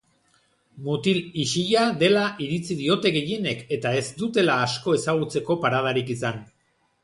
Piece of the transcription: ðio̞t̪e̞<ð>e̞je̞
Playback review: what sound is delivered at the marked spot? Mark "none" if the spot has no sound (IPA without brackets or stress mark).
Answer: ɣ